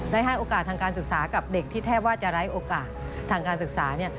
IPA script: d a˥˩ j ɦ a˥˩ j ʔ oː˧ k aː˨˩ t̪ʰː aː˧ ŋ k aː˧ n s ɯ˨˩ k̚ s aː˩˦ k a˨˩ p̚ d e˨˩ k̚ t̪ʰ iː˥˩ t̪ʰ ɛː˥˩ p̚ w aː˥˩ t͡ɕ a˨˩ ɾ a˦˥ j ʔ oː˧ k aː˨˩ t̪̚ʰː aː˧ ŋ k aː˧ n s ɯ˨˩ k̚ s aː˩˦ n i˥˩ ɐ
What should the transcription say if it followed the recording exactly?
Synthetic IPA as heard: d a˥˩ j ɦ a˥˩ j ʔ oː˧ k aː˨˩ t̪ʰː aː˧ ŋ k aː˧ n s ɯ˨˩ k̚ s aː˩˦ k a˨˩ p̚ d e˨˩ k̚ t̪ʰ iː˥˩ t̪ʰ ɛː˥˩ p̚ w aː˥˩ t͡ɕ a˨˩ ɾ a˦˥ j ʔ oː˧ k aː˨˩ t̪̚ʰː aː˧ ŋ k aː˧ n s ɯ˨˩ k̚ s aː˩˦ n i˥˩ ɐ